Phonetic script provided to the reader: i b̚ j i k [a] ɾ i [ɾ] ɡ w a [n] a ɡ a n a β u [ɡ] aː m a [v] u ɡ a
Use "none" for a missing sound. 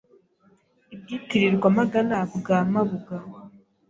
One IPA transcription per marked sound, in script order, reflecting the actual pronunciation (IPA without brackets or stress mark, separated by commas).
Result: i, ɾ, m, ɡ, β